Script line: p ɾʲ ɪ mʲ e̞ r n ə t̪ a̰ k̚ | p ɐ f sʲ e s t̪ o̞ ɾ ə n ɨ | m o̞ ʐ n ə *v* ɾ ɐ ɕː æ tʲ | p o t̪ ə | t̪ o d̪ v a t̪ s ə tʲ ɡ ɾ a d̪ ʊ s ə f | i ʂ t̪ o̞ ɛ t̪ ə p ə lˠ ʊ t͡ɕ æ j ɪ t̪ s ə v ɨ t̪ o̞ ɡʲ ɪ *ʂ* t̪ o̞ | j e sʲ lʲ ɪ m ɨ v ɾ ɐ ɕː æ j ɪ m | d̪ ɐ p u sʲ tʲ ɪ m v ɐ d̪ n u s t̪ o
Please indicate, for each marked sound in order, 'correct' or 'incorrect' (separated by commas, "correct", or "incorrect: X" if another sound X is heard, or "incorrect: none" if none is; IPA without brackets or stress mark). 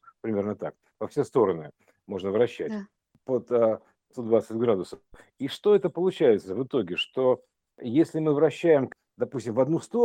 correct, correct